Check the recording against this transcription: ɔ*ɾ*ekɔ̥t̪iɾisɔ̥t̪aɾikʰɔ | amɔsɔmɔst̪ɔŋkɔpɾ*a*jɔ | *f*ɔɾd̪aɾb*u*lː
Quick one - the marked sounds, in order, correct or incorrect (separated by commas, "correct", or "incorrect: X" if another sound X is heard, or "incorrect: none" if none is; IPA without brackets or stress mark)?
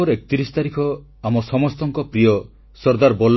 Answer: correct, incorrect: i, incorrect: s, incorrect: ɔ